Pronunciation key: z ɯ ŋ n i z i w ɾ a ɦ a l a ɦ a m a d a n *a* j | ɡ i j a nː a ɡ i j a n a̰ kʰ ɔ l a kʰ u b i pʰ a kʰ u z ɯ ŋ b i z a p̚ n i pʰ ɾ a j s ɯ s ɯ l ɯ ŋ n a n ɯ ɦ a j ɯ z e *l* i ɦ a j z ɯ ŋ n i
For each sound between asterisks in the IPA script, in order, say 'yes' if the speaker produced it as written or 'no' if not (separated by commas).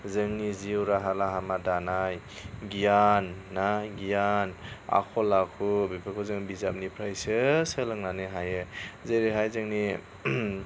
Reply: yes, no